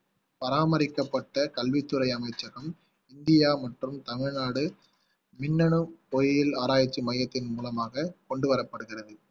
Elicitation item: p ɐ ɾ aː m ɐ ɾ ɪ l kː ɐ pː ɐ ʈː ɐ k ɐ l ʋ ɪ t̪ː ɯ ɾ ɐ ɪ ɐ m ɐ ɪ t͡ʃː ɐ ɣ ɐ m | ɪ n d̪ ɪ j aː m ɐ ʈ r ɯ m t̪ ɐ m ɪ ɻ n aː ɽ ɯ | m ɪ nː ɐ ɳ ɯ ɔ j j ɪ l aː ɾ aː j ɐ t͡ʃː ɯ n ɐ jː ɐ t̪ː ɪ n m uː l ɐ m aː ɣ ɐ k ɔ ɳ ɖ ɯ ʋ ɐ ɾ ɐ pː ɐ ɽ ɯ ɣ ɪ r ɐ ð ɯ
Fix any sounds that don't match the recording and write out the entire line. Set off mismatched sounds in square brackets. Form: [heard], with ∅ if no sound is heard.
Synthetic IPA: p ɐ ɾ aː m ɐ ɾ ɪ [∅] kː ɐ pː ɐ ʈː ɐ k ɐ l ʋ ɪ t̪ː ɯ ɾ ɐ ɪ ɐ m ɐ ɪ t͡ʃː ɐ ɣ ɐ m | ɪ n d̪ ɪ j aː m ɐ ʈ r ɯ m t̪ ɐ m ɪ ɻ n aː ɽ ɯ | m ɪ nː ɐ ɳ ɯ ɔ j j ɪ l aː ɾ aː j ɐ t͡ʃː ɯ [m] ɐ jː ɐ t̪ː ɪ n m uː l ɐ m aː ɣ ɐ k ɔ ɳ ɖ ɯ ʋ ɐ ɾ ɐ pː ɐ ɽ ɯ ɣ ɪ r ɐ ð ɯ